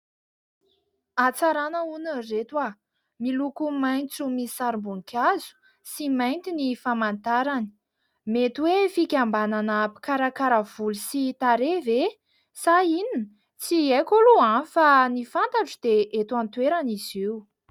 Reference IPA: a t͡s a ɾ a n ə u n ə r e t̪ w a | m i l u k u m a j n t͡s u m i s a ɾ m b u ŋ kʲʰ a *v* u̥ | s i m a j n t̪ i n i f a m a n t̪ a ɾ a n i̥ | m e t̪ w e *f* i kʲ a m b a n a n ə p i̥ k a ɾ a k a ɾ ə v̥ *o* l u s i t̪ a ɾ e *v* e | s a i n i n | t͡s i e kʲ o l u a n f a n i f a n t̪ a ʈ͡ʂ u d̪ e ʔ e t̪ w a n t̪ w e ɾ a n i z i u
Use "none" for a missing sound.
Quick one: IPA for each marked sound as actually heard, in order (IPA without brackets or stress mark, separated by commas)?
z, f, u, v